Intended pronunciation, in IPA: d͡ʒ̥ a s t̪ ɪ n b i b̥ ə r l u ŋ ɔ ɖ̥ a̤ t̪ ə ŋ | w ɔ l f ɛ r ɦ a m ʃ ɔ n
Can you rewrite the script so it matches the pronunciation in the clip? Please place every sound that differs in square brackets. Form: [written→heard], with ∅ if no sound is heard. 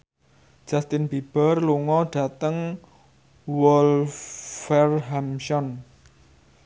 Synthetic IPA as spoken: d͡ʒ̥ a s t̪ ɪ n b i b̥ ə r l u ŋ ɔ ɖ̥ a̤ t̪ ə ŋ | w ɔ l f ɛ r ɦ a m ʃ ɔ n

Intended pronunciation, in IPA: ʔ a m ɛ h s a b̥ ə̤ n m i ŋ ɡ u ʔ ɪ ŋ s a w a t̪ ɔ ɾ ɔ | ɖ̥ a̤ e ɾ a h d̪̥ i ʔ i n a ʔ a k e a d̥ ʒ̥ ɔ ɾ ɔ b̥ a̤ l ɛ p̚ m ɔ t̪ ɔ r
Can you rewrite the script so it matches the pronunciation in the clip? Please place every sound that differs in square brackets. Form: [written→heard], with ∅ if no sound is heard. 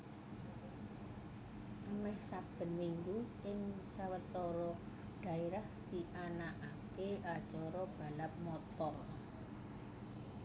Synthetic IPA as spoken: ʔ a m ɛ h s a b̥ ə̤ n m i ŋ ɡ u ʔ ɪ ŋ s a w [a→ə] t̪ ɔ ɾ ɔ | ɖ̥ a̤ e ɾ a h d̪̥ i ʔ [i→a] n a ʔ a k e a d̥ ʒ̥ ɔ ɾ ɔ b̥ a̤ l [ɛ→a] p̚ m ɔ t̪ ɔ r

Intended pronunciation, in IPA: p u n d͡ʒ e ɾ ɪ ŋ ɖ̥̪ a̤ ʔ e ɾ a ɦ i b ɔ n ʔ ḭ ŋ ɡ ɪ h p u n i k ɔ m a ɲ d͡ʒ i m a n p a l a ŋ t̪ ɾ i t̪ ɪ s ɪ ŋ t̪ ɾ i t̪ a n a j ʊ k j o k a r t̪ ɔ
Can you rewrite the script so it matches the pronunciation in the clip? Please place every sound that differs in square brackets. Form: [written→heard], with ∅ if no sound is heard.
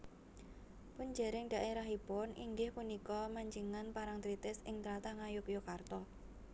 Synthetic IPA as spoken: p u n d͡ʒ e ɾ ɪ ŋ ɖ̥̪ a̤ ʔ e ɾ a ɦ i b ɔ n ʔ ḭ ŋ ɡ ɪ h p u n i k ɔ m a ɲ d͡ʒ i [m→ŋ] a n p a [l→ɾ] a ŋ t̪ ɾ i t̪ ɪ s ɪ ŋ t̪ ɾ [i→a] t̪ a [n→ŋ] a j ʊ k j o k a r t̪ ɔ

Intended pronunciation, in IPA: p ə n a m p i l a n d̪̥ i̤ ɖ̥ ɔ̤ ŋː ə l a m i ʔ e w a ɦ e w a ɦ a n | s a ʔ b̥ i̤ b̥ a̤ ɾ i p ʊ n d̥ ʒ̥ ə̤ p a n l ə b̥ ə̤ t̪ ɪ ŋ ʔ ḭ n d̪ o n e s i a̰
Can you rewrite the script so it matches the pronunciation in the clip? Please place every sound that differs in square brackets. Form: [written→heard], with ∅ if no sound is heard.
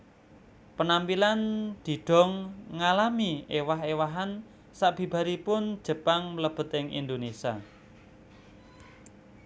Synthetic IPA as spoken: p ə n a m p i l a n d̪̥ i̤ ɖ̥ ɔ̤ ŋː [ə→a] l a m i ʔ e w a ɦ e w a ɦ a n | s a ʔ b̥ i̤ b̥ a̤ ɾ i p ʊ n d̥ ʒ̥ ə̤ p a [n→ŋ] l ə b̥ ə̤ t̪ ɪ ŋ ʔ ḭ n d̪ o n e s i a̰

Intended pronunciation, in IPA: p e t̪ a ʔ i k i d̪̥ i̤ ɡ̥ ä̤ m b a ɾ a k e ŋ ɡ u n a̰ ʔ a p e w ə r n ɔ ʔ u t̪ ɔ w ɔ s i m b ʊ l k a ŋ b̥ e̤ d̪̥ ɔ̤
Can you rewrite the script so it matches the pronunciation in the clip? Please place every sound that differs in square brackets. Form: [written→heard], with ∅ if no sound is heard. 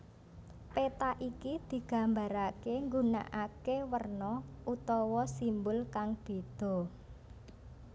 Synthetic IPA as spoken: p e t̪ a ʔ i k i d̪̥ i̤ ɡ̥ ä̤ m b a ɾ a k e ŋ ɡ u n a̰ ʔ a [p→k] e w ə r n ɔ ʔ u t̪ ɔ w ɔ s i m b ʊ l k a ŋ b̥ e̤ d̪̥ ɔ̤

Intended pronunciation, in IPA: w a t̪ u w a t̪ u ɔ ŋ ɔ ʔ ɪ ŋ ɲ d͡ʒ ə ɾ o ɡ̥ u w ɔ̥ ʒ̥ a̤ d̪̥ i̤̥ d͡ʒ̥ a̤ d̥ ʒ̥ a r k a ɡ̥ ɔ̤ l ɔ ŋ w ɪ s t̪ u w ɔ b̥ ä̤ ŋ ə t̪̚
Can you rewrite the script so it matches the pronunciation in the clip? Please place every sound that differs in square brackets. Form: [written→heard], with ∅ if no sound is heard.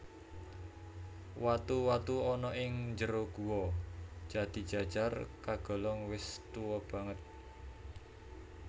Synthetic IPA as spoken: w a t̪ u w a t̪ u ɔ [ŋ→n] ɔ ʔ ɪ ŋ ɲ d͡ʒ ə ɾ o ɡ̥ u w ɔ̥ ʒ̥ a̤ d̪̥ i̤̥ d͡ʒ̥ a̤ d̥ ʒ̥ a r k a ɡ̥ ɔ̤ l ɔ ŋ w ɪ s t̪ u w ɔ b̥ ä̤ ŋ ə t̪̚

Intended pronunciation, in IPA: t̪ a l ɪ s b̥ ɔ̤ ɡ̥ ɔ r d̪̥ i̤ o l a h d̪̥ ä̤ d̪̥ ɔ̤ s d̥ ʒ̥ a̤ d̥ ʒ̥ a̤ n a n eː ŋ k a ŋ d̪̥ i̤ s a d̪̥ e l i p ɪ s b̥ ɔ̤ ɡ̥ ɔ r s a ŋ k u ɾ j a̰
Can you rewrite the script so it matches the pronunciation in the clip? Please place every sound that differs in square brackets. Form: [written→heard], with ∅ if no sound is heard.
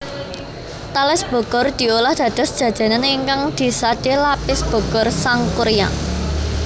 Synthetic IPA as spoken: t̪ a l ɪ s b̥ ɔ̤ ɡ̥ ɔ r d̪̥ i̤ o l a h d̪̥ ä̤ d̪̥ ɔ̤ s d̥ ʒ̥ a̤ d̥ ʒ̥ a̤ n a n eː ŋ k a ŋ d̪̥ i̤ s a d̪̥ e l [i→a] p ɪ s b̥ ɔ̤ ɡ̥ ɔ r s a ŋ k u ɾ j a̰

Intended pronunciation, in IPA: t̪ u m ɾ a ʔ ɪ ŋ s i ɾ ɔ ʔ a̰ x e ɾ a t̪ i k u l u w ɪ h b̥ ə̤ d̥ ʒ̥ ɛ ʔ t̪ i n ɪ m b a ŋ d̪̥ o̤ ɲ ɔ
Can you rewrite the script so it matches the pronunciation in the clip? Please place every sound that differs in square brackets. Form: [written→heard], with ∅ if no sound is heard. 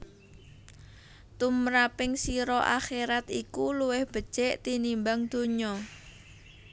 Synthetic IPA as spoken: t̪ u m ɾ a [ʔ→p] ɪ ŋ s i ɾ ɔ ʔ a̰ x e ɾ a t̪ i k u l u w ɪ h b̥ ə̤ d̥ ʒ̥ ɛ ʔ t̪ i n [ɪ→i] m b a ŋ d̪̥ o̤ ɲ ɔ

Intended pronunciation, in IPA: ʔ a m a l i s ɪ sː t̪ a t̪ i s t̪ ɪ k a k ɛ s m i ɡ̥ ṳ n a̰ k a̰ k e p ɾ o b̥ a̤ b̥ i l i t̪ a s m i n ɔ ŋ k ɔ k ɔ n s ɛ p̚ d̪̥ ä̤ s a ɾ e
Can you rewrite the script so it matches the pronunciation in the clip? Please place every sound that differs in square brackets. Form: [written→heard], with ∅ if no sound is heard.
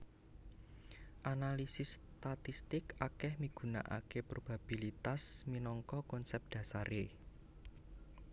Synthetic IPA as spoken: ʔ a [m→n] a l i s ɪ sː t̪ a t̪ i s t̪ ɪ k a k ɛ [s→h] m i ɡ̥ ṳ n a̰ [k→ʔ] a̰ k e p ɾ o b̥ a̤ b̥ i l i t̪ a s m i n ɔ ŋ k ɔ k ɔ n s ɛ p̚ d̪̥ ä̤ s a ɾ e

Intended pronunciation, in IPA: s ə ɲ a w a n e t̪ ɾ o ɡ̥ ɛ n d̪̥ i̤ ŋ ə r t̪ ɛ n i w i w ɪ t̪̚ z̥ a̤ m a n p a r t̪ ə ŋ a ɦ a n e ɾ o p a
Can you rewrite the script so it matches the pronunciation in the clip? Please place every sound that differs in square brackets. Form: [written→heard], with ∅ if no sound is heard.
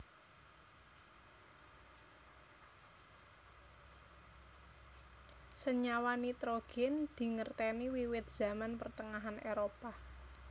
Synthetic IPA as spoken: s ə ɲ a w a n [e→i] t̪ ɾ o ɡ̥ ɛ n d̪̥ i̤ ŋ ə r t̪ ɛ n i w i w ɪ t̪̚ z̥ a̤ m a n p [a→ə] r t̪ ə ŋ a ɦ a n e ɾ o p a

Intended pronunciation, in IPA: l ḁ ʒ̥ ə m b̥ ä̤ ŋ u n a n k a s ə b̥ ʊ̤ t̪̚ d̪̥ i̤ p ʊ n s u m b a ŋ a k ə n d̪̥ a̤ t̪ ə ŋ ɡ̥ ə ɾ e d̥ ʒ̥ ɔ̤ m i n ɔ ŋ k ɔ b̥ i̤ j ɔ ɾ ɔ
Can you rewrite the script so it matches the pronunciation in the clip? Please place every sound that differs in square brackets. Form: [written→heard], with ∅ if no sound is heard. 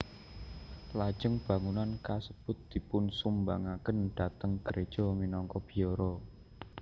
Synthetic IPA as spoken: l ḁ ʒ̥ ə [m→ŋ] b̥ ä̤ ŋ u n a n k a s ə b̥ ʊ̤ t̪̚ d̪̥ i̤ p ʊ n s u m b a ŋ a k ə n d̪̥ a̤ t̪ ə ŋ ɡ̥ ə ɾ e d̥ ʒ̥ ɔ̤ m i n ɔ ŋ k ɔ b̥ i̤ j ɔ ɾ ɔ

